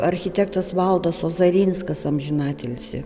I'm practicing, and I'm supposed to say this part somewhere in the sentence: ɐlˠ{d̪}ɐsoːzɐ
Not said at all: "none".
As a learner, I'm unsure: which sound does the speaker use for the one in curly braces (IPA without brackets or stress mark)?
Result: d̪